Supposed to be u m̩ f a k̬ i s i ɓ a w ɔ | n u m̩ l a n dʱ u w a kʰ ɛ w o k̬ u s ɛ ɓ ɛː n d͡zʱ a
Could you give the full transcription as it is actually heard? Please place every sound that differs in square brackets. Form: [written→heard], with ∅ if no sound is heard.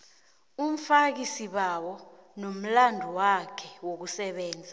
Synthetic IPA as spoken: u m̩ f a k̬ i s i ɓ a w ɔ | n [u→o] m̩ l a n dʱ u w a kʰ ɛ w o k̬ u s ɛ ɓ ɛː n d͡zʱ a